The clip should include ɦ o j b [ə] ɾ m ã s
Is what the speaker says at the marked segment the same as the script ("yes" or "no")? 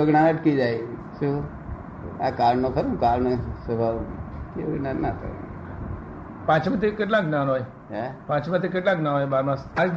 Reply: no